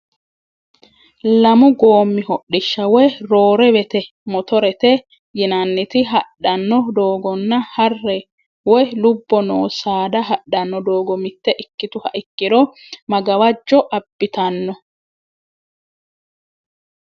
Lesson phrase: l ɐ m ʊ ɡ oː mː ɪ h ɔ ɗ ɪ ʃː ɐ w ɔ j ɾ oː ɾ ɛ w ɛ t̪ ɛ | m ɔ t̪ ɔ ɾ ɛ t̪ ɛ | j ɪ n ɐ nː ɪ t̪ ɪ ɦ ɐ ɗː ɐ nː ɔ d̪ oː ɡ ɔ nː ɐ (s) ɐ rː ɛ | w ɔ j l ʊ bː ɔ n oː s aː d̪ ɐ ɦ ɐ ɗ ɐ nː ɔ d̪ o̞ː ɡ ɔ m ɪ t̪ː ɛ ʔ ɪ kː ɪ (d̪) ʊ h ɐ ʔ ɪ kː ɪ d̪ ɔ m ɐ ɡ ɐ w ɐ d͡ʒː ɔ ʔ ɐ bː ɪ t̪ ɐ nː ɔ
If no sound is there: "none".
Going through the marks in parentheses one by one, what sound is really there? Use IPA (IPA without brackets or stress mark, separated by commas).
h, t̪